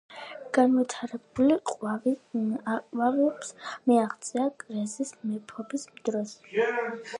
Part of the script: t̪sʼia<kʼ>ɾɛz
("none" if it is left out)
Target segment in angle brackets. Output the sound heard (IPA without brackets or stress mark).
kʼ